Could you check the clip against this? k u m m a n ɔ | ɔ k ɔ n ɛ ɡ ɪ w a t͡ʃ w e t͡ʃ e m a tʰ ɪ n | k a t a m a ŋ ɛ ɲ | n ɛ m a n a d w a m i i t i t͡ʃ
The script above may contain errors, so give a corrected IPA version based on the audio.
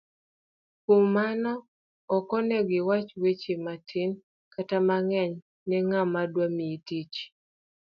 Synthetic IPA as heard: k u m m a n ɔ | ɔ k ɔ n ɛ ɡ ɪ w a t͡ʃ w e t͡ʃ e m a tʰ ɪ n | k a t a m a ŋ ɛ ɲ | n ɛ ŋ a m a d w a m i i t i t͡ʃ